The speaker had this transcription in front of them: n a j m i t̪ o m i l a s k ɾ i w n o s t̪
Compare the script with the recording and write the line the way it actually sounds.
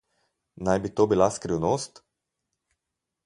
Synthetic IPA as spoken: n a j b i t̪ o b i l a s k ɾ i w n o s t̪